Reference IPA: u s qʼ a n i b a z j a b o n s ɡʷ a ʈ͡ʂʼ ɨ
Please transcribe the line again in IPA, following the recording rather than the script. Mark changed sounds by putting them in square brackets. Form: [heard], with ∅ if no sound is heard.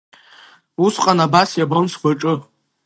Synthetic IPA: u s qʼ a n [a] b a [s] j a b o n s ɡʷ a ʈ͡ʂʼ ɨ